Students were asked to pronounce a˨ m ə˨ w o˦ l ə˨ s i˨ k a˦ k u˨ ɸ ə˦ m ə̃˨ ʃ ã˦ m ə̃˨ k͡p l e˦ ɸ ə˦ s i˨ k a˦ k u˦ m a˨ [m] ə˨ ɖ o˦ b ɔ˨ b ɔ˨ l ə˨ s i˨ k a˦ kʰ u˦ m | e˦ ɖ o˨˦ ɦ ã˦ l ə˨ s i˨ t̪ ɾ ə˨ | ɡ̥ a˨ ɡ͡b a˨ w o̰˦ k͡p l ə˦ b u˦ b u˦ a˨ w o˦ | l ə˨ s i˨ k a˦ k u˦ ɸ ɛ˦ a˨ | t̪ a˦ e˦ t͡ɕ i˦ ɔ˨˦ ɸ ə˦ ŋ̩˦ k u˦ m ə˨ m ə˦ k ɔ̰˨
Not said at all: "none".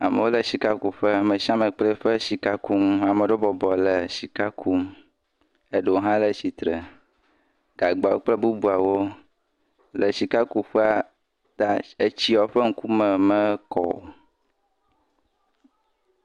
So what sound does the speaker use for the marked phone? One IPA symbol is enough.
m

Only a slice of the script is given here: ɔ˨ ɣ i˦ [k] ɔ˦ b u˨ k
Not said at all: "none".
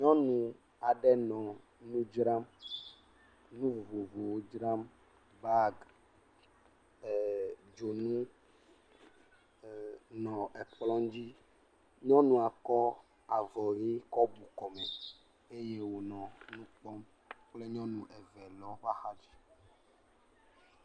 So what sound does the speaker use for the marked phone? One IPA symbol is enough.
k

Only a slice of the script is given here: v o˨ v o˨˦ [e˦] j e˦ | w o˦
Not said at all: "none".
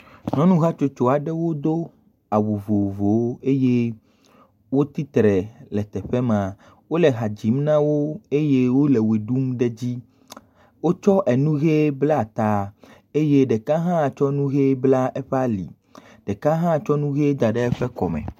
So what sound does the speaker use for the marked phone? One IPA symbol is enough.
e˦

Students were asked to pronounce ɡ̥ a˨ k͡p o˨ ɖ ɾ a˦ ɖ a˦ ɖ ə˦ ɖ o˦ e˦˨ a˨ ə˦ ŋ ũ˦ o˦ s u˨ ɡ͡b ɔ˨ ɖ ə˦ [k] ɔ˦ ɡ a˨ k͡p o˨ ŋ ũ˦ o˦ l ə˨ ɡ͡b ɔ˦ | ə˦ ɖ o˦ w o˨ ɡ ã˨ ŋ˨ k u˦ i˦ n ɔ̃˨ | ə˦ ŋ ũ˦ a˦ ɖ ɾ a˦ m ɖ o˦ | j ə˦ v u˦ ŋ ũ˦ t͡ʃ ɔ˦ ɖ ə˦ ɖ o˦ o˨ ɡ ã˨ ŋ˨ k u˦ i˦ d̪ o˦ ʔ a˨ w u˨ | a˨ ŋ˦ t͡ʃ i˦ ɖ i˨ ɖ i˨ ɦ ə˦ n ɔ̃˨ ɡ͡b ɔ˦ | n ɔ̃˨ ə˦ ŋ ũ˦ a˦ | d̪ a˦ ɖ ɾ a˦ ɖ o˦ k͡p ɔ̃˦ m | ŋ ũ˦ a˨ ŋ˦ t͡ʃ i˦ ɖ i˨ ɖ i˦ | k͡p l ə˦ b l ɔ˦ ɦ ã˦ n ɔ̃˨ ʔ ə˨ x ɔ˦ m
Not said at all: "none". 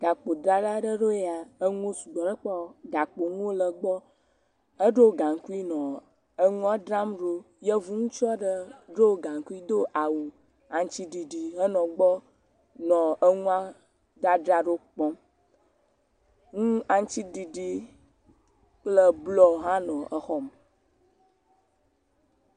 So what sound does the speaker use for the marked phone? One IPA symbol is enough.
k͡p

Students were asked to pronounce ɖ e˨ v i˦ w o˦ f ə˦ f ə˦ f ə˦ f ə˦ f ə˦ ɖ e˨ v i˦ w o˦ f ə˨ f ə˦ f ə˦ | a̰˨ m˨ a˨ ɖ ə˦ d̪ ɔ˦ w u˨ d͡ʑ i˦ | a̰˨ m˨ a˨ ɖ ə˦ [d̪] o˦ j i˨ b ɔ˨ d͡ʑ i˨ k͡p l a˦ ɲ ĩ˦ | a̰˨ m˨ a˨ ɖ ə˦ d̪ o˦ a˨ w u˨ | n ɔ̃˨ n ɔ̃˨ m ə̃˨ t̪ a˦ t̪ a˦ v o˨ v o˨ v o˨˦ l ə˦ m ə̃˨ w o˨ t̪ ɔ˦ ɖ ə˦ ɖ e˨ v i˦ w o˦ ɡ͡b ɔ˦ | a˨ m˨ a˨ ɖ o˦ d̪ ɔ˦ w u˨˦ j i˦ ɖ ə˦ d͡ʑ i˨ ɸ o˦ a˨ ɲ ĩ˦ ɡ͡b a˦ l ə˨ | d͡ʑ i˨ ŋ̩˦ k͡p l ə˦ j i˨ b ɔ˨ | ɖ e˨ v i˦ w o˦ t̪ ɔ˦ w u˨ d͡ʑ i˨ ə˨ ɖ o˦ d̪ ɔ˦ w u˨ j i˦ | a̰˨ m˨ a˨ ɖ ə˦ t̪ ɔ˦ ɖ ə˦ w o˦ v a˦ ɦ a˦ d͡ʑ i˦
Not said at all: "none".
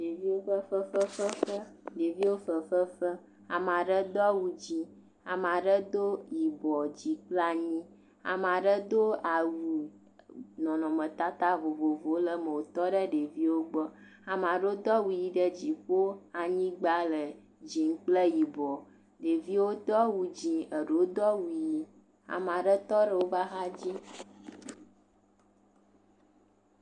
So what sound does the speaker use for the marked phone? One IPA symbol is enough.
d̪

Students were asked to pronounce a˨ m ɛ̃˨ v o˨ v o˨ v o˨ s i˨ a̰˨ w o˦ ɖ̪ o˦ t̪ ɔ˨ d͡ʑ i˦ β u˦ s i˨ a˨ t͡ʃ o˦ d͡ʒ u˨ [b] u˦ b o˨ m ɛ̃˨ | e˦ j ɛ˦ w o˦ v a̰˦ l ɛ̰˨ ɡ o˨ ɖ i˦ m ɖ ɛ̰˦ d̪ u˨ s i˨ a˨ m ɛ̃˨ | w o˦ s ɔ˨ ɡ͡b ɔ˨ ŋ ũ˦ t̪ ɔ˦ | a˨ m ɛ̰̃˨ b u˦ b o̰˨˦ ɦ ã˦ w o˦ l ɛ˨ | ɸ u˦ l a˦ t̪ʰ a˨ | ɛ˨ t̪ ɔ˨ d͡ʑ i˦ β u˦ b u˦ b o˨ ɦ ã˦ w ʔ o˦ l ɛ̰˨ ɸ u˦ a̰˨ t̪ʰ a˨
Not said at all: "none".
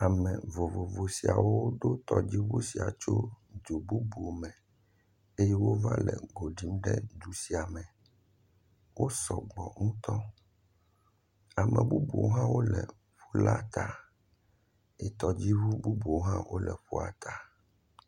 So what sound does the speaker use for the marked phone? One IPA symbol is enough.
b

